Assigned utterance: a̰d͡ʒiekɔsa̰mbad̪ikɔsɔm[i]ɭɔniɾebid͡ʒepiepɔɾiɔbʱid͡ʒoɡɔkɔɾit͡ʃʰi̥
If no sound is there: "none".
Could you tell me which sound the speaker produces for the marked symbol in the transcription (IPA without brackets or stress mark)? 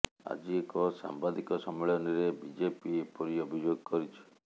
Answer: e